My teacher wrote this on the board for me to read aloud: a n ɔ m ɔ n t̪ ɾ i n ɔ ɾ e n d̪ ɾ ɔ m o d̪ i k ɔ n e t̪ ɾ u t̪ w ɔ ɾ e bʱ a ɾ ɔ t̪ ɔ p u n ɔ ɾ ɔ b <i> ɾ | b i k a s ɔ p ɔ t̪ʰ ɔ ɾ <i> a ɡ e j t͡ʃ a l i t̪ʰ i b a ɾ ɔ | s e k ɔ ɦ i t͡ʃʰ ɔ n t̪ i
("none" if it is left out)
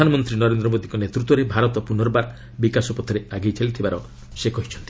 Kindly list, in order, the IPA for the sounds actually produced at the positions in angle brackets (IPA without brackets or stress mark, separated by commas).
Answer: a, e